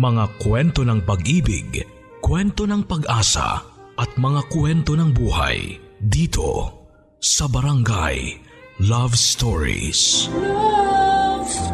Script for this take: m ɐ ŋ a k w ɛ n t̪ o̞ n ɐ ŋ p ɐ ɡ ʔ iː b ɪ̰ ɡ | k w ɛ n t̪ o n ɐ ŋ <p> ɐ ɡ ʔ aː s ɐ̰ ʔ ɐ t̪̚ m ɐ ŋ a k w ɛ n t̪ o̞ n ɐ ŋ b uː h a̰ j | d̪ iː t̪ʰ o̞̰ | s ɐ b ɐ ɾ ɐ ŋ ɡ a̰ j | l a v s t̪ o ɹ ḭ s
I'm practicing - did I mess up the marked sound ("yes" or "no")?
no